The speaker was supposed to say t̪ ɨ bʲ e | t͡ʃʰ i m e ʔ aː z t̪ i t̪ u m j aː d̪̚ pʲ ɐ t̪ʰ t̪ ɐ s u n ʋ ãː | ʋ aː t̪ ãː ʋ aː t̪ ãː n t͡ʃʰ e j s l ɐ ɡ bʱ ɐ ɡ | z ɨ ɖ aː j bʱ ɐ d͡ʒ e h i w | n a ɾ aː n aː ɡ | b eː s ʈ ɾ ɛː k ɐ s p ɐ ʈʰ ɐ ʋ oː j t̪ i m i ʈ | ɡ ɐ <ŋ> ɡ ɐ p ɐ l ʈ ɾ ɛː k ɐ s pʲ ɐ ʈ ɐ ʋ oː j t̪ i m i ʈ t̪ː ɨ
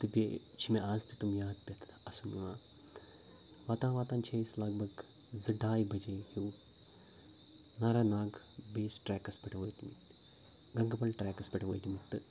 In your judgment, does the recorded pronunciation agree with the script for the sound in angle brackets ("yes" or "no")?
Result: yes